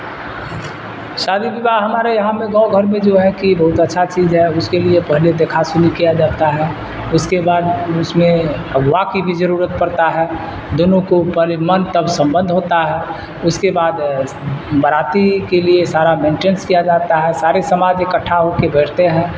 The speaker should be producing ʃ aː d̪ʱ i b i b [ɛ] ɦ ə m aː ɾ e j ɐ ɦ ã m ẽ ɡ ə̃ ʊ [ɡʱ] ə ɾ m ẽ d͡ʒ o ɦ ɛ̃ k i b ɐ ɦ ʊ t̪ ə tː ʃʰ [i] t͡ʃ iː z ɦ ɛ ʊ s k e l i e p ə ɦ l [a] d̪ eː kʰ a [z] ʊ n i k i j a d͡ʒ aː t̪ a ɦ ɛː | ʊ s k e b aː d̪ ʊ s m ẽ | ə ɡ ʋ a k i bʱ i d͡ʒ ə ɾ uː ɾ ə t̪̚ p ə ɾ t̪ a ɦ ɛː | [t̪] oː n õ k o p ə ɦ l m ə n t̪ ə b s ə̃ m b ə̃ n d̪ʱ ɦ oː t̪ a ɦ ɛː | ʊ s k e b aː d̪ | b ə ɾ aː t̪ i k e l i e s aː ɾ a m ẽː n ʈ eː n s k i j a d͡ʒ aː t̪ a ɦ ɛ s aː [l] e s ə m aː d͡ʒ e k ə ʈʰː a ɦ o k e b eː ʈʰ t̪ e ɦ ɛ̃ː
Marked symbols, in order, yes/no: no, yes, no, no, no, no, no

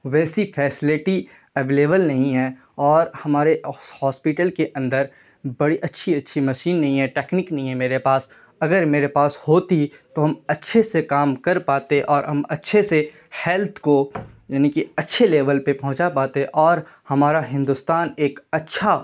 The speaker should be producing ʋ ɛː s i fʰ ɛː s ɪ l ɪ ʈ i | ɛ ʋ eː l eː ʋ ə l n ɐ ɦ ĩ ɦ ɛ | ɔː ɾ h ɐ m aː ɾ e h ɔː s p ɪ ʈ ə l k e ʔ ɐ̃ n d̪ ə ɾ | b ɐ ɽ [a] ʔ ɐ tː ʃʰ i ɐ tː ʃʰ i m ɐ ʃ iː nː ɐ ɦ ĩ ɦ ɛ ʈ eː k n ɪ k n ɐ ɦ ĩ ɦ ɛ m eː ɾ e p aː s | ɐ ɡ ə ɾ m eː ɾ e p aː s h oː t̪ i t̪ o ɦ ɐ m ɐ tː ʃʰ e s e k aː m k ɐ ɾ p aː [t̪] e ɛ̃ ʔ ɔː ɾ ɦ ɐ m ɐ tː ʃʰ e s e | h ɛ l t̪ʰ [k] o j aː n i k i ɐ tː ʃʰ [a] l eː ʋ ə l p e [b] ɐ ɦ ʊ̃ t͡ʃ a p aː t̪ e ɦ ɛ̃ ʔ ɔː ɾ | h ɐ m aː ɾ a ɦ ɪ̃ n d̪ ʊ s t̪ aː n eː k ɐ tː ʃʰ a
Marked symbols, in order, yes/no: no, yes, yes, no, no

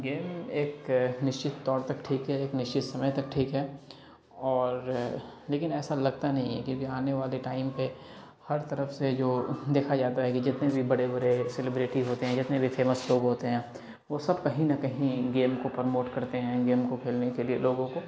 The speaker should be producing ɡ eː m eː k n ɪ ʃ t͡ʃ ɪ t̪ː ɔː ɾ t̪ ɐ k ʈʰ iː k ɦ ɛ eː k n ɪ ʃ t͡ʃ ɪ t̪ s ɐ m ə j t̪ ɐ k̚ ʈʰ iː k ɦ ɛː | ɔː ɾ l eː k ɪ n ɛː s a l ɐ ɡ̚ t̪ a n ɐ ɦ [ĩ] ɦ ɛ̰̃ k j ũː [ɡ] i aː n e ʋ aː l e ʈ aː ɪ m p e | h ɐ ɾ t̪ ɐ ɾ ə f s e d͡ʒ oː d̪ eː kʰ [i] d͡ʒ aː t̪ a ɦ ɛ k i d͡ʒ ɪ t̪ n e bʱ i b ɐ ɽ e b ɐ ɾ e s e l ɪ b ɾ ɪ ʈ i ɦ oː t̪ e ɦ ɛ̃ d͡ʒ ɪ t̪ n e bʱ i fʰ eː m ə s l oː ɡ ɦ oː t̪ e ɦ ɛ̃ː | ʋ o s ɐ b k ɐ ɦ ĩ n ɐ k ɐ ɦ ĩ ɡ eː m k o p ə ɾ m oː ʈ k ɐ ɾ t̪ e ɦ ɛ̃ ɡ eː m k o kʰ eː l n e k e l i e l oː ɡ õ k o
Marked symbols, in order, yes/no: yes, no, no

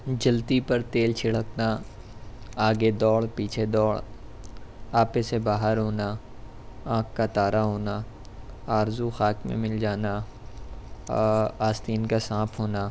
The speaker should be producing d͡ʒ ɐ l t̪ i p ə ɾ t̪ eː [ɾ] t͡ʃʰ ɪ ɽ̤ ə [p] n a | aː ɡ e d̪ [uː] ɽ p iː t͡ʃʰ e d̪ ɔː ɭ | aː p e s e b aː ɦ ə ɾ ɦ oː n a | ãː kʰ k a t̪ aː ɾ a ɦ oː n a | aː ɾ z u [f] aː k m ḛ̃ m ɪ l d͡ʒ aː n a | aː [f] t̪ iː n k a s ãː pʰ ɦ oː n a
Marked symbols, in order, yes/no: no, no, no, no, no

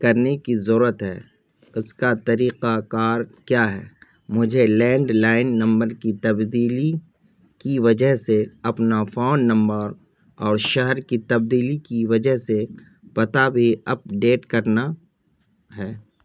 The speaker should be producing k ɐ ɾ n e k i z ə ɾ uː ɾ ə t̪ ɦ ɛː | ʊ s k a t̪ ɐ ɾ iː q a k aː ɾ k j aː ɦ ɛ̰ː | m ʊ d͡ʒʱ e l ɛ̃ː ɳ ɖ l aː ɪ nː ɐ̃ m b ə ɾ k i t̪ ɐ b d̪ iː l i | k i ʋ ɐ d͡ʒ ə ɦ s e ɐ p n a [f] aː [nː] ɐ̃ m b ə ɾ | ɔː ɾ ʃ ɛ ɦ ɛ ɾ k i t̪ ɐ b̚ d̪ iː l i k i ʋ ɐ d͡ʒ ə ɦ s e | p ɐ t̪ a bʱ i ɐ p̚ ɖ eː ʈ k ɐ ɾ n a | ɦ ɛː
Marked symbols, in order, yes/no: yes, yes

